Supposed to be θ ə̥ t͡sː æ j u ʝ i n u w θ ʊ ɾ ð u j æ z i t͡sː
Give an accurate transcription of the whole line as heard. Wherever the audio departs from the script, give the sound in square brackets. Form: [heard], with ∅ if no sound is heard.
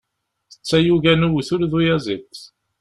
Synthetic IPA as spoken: θ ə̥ t͡sː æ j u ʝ [æ] n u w θ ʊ ɾ ð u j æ z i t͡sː